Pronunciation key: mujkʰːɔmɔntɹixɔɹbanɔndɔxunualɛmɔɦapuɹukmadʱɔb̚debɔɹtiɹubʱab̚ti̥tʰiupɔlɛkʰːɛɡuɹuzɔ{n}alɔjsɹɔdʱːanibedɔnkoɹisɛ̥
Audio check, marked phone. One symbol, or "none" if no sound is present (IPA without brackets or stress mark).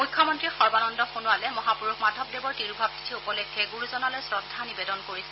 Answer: n